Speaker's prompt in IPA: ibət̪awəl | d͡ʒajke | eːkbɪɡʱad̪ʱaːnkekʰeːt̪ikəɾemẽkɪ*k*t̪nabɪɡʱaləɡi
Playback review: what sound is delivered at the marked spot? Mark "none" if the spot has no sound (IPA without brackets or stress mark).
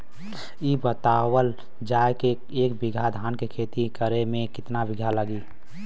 none